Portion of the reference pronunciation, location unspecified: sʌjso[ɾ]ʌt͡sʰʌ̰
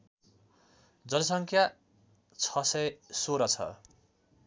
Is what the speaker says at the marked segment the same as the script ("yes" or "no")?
yes